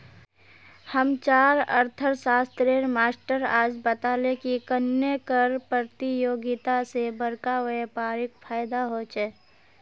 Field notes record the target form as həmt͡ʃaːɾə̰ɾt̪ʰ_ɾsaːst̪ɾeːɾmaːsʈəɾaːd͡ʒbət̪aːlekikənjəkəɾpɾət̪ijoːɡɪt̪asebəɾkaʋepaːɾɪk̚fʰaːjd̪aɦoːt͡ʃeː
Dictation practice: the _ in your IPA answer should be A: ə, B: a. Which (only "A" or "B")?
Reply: A